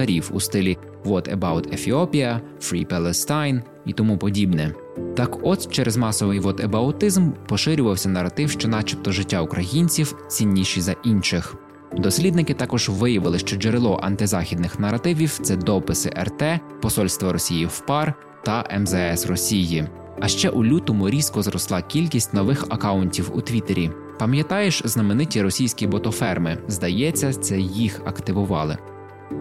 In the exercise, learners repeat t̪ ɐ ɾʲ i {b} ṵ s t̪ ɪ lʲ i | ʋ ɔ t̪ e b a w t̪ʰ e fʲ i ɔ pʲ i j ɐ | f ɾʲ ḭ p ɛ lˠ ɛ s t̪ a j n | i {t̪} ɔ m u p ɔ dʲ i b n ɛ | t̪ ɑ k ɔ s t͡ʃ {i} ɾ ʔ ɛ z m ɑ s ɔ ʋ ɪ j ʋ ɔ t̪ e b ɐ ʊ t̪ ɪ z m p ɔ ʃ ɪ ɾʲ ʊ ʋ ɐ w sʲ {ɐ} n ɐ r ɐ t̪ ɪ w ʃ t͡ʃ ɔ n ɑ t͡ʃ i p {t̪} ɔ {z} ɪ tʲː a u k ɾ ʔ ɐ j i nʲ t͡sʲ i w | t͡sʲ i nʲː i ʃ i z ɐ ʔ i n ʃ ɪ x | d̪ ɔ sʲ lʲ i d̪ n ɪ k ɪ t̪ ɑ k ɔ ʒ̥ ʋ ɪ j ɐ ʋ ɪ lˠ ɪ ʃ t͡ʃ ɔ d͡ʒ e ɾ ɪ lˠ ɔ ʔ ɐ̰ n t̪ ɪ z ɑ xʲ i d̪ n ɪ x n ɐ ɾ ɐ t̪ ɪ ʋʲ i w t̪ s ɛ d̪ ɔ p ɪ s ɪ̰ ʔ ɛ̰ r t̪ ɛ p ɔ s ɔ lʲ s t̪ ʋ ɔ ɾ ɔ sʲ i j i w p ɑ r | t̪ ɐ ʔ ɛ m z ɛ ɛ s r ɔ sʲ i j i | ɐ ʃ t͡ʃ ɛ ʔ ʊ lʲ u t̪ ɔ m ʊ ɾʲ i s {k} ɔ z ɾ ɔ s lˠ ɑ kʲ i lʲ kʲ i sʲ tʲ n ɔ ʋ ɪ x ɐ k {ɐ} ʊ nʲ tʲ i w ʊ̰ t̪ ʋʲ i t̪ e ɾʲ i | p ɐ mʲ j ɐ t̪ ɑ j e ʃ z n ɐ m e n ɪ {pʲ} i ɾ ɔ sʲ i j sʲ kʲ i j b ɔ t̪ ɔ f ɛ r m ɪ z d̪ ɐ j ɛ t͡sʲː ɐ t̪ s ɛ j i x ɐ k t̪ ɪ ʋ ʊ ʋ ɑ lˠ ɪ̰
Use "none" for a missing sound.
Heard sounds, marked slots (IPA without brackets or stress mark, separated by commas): w, t̪, ɛ, ɐ, t̪, ʒ, k, ɑ, tʲ